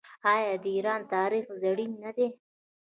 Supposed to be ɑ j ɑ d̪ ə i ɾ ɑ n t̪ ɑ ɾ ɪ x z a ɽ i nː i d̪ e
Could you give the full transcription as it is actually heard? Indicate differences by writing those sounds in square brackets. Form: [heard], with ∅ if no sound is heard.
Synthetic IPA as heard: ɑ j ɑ d̪ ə i ɾ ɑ n t̪ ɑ ɾ [i] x z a ɽ i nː [a] d̪ e